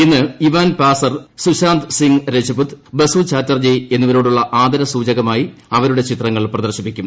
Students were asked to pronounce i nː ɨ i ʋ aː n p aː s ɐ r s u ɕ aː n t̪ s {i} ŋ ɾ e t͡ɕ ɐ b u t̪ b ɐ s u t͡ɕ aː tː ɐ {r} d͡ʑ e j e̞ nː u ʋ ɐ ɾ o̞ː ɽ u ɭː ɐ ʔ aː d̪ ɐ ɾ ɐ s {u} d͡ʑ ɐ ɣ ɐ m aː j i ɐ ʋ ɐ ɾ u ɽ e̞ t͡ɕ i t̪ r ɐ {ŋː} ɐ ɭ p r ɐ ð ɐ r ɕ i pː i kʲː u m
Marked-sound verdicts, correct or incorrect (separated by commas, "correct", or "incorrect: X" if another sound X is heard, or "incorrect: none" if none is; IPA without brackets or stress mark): correct, correct, incorrect: uː, correct